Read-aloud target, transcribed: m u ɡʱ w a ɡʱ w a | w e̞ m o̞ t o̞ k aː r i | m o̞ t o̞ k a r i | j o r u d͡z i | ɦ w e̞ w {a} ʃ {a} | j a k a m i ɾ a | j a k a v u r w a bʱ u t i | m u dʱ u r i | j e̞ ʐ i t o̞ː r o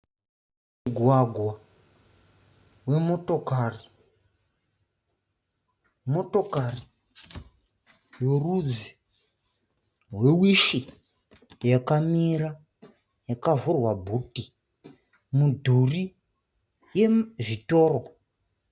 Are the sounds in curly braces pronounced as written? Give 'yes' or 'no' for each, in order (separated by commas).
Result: no, no